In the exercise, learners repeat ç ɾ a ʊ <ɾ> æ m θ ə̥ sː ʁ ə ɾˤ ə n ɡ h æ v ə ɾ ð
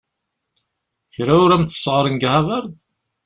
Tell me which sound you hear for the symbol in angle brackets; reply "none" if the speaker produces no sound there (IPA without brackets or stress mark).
ɾ